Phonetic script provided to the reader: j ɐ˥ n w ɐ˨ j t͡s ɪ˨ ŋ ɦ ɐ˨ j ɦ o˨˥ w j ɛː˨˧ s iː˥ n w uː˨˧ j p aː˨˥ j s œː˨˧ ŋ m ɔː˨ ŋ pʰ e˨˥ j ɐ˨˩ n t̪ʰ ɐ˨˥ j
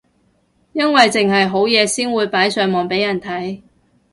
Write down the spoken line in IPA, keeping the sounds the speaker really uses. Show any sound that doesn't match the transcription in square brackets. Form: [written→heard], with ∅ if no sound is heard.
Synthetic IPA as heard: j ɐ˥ n w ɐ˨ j t͡s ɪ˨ ŋ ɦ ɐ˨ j ɦ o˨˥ w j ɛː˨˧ s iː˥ n w uː˨˧ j p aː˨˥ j s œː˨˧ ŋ m ɔː˨ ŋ [pʰ→p] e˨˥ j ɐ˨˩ n t̪ʰ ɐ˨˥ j